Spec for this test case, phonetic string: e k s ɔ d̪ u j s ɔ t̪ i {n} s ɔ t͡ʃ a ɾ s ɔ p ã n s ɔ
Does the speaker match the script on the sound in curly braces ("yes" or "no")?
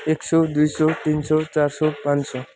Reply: yes